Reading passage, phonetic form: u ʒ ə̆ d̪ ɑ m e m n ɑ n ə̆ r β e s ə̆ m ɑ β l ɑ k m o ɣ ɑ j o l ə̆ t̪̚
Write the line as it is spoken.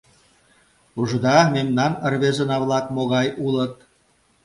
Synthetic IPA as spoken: u ʒ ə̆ d̪ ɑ m e m n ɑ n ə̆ r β e z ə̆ n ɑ β l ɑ k m o ɣ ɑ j u l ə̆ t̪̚